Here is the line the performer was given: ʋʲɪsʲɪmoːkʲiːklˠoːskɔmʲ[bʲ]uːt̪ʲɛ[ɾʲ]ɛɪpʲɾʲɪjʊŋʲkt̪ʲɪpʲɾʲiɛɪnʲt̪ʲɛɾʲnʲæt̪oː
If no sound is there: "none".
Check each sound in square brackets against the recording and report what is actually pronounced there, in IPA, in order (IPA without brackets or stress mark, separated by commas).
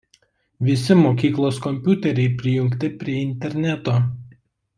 pʲ, ɾʲ